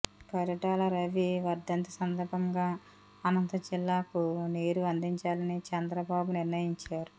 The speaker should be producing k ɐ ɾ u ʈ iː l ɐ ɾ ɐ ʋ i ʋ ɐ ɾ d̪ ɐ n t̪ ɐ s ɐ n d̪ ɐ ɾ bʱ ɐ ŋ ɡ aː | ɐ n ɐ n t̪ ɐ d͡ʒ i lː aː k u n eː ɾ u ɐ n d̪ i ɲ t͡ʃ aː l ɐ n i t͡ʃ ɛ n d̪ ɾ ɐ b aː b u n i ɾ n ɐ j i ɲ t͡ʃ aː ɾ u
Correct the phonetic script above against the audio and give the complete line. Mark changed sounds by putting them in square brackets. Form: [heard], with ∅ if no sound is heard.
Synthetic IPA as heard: k ɐ ɾ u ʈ [aː] l ɐ ɾ ɐ ʋ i ʋ ɐ ɾ d̪ ɐ n t̪ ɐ s ɐ n d̪ ɐ ɾ bʱ ɐ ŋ ɡ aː | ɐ n ɐ n t̪ ɐ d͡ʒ i lː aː k u n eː ɾ u ɐ n d̪ i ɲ t͡ʃ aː l ɐ n i t͡ʃ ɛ n d̪ ɾ ɐ b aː b u n i ɾ n ɐ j i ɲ t͡ʃ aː ɾ u